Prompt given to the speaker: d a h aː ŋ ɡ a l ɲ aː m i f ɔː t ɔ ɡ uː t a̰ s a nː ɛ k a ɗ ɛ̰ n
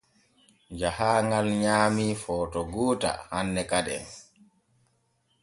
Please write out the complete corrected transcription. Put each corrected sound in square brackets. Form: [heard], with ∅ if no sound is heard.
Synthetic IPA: [d͡ʒ] a h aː ŋ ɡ a l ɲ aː m i f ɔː t ɔ ɡ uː t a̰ [h] a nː ɛ k a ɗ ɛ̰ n